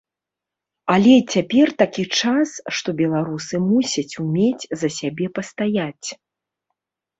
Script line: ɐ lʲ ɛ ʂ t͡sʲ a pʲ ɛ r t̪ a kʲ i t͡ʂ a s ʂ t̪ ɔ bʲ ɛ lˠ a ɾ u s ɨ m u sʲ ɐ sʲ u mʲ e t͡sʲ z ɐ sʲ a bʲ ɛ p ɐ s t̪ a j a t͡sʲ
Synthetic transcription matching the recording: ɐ lʲ ɛ t͡sʲ a pʲ ɛ r t̪ a kʲ i t͡ʂ a s ʂ t̪ ɔ bʲ ɛ lˠ a ɾ u s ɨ m u sʲ ɐ t͡sʲ u mʲ e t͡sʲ z ɐ sʲ a bʲ ɛ p ɐ s t̪ a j a t͡sʲ